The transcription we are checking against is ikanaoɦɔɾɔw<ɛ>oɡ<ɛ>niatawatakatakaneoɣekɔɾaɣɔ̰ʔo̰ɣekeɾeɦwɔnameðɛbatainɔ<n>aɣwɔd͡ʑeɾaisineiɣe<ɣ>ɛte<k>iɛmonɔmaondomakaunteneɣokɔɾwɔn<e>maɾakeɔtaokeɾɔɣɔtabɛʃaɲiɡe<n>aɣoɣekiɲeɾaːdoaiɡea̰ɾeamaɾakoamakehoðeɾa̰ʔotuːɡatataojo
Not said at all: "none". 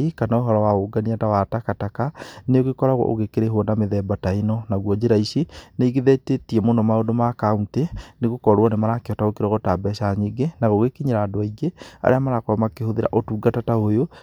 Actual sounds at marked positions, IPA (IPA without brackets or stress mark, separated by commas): a, a, n, ð, t, e, n